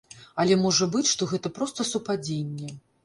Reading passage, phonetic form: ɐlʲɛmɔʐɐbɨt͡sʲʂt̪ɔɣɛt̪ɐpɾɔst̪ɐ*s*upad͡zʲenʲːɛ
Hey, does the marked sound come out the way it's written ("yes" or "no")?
yes